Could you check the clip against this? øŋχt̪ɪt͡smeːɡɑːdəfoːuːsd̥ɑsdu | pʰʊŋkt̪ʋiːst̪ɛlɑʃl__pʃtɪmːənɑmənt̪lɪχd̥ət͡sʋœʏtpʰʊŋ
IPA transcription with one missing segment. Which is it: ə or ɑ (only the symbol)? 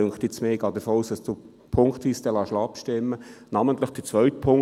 ɑ